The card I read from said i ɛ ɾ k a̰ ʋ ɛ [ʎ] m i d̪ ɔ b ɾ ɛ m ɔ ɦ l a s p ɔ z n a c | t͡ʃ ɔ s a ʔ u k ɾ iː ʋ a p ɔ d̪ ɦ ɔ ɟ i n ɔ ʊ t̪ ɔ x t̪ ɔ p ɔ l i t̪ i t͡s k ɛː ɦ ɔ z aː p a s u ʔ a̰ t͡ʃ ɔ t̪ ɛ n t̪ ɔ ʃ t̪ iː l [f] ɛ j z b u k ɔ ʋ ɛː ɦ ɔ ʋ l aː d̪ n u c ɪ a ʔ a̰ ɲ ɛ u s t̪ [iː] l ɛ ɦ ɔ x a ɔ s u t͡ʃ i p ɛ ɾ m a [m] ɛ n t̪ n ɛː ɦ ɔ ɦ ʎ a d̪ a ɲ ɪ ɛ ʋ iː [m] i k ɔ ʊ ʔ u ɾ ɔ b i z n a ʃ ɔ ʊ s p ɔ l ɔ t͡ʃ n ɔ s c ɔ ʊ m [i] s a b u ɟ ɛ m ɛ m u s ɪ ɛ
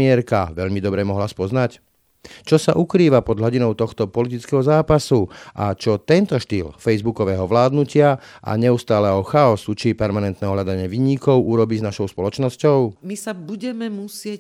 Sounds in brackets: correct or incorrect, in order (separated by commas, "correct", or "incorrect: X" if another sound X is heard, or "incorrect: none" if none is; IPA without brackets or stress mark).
correct, correct, incorrect: aː, incorrect: n, incorrect: ɲ, correct